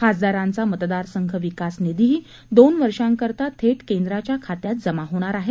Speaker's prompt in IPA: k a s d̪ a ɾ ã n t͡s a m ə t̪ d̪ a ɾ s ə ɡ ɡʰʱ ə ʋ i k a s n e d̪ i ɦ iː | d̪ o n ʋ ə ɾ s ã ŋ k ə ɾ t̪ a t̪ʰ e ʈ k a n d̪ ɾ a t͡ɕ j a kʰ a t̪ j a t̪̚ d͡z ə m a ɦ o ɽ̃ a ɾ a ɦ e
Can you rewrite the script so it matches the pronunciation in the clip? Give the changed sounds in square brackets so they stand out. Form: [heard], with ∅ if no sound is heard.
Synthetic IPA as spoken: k a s d̪ a ɾ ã n t͡s a m ə t̪ d̪ a ɾ s ə [ŋ] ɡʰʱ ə ʋ i k a s n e d̪ i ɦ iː | d̪ o n ʋ ə ɾ [ʂ] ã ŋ k ə ɾ t̪ a t̪ʰ e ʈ k [e] n d̪ ɾ a t͡ɕ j a kʰ a t̪ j a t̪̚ d͡z ə m a ɦ o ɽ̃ a ɾ a ɦ e